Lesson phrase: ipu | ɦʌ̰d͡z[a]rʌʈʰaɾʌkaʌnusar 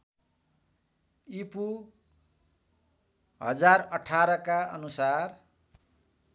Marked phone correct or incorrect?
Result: correct